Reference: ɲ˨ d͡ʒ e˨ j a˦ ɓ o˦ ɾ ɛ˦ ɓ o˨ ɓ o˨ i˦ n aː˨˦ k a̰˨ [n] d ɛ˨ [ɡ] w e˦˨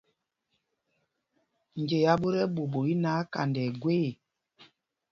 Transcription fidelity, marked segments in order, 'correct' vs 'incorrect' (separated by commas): correct, correct